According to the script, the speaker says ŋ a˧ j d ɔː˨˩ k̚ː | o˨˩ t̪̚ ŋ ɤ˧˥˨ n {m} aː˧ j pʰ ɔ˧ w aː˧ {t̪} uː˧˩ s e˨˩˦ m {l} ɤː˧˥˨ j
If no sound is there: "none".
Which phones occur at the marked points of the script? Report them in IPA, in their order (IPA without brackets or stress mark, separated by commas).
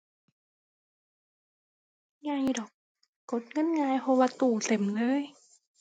ŋ, t̪, l